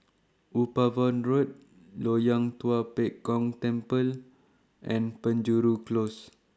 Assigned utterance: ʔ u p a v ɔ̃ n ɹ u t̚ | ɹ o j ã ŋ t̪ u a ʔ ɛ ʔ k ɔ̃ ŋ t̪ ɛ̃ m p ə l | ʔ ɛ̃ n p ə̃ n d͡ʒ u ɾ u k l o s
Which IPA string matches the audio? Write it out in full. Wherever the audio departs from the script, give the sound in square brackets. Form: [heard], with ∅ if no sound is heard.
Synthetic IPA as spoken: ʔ u p a v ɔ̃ n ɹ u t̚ | [l] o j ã ŋ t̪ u a [p] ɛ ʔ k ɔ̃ ŋ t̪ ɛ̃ m p ə l | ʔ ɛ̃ n p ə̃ n d͡ʒ u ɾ u k l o s